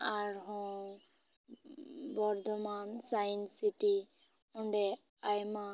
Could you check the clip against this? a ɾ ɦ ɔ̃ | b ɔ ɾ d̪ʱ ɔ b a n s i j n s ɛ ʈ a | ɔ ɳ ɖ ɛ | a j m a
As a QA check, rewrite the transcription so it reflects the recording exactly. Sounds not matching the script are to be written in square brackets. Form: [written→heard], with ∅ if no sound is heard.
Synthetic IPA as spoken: a ɾ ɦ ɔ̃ | b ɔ ɾ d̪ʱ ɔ [b→m] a n s [i→a] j n s [ɛ→i] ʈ [a→i] | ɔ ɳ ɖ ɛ | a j m a